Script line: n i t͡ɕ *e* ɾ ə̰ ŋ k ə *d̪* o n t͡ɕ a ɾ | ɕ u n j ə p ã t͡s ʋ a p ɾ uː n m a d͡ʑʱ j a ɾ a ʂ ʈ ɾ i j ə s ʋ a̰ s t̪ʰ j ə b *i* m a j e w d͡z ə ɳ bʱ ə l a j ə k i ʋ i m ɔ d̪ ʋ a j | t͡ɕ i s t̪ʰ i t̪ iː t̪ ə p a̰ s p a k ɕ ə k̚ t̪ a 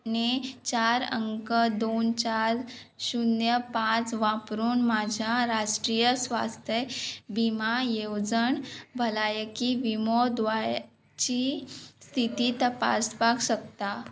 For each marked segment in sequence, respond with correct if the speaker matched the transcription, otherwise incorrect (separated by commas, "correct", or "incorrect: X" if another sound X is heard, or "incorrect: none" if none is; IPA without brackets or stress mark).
incorrect: a, correct, correct